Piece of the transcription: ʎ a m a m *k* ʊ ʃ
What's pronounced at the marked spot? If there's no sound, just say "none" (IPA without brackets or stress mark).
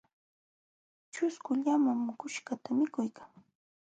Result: k